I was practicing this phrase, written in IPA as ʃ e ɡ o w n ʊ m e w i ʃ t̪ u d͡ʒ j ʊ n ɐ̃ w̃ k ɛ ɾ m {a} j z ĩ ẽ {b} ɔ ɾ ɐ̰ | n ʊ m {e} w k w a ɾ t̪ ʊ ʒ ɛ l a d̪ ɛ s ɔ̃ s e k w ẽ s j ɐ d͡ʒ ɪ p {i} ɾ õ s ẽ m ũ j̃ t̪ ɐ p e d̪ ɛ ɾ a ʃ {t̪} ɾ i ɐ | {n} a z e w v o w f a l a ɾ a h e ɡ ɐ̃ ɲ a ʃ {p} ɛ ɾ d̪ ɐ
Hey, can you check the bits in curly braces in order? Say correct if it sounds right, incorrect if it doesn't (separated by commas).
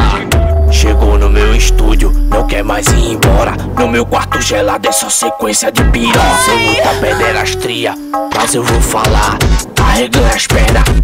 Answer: correct, correct, correct, correct, correct, incorrect, correct